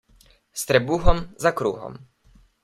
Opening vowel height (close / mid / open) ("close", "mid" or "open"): mid